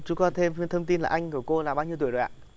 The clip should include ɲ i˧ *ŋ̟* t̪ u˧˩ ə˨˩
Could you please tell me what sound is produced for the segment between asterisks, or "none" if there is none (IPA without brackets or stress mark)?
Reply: none